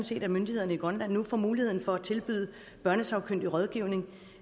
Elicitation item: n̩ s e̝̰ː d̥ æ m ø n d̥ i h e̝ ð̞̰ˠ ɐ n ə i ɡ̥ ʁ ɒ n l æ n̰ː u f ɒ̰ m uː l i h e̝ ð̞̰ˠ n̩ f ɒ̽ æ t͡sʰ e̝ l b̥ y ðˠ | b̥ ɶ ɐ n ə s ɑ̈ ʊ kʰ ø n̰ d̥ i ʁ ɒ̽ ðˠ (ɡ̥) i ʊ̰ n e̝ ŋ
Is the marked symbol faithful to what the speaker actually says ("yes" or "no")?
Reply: yes